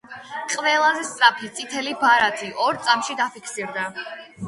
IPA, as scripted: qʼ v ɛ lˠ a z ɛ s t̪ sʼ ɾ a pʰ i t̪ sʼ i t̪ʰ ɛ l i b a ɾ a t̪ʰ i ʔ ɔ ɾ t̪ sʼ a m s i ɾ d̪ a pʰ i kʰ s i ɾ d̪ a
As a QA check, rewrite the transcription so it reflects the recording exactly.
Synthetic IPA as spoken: qʼ v ɛ lˠ a z ɛ s t̪ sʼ ɾ a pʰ i t̪ sʼ i t̪ʰ ɛ l i b a ɾ a t̪ʰ i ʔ ɔ ɾ t̪ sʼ a m ʃ i d̪ a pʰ i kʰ s i ɾ d̪ a